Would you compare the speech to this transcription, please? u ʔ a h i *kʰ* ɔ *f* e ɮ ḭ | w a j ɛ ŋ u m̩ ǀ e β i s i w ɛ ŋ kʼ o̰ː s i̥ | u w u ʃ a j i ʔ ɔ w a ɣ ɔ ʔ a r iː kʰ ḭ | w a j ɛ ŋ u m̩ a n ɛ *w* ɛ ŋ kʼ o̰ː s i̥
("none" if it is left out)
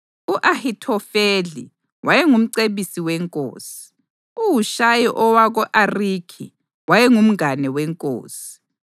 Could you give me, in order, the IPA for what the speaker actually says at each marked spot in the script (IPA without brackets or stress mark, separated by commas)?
tʰ, f, w